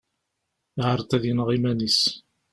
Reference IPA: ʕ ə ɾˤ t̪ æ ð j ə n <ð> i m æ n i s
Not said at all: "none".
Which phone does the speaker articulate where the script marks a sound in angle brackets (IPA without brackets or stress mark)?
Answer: ʁ